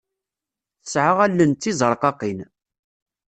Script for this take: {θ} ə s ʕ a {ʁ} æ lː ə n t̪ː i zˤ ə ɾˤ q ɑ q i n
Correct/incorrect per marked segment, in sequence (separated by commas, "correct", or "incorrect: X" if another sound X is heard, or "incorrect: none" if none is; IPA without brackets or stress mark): correct, correct